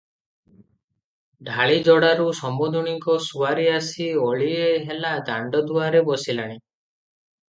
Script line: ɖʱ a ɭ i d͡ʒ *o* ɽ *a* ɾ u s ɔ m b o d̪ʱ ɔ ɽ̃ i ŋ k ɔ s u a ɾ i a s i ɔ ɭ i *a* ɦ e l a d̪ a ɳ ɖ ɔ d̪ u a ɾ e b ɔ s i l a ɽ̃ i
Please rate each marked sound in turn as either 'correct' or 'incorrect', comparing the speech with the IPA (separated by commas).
incorrect, correct, incorrect